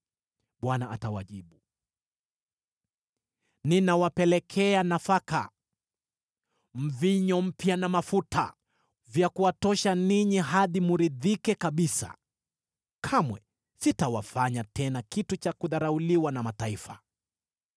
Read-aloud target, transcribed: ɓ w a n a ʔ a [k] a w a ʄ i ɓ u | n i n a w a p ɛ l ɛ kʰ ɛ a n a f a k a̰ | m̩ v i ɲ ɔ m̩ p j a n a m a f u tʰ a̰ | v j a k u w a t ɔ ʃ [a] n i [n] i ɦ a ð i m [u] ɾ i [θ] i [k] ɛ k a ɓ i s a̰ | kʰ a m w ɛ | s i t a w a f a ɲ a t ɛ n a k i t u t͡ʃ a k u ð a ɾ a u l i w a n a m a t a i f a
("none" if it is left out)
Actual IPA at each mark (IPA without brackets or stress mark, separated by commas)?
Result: t, a, ɲ, u, ð, k